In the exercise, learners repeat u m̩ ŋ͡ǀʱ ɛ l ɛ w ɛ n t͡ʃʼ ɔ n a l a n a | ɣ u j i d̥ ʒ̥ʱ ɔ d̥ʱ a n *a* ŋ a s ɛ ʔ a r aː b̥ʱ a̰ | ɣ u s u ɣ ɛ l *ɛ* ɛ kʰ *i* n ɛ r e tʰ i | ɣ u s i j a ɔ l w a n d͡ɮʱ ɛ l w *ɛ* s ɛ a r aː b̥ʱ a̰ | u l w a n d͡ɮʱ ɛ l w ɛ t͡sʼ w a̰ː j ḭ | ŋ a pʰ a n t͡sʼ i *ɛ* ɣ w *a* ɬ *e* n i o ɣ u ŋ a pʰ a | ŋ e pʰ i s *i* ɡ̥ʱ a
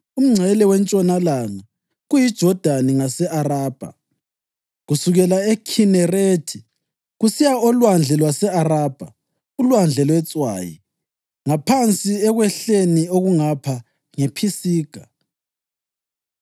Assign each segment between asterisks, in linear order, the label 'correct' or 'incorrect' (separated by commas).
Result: incorrect, incorrect, correct, incorrect, correct, incorrect, correct, incorrect